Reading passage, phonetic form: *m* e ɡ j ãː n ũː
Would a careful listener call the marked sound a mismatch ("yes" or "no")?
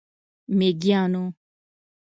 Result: no